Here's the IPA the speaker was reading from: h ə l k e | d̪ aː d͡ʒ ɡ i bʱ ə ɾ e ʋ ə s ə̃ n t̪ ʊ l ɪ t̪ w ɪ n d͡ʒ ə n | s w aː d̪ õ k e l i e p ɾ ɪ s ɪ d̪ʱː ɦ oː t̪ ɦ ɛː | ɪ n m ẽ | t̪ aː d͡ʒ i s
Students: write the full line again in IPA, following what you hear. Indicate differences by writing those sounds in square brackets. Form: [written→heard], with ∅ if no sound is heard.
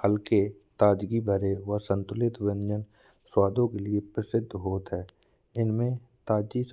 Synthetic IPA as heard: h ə l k e | [d̪→t̪] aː d͡ʒ ɡ i bʱ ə ɾ e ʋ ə s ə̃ n t̪ ʊ l ɪ t̪ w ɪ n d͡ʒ ə n | s w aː d̪ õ k e l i e p ɾ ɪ s ɪ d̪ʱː ɦ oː t̪ ɦ ɛː | ɪ n m ẽ | t̪ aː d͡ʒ i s